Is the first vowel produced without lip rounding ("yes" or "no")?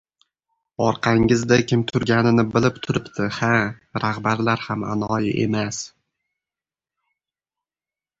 no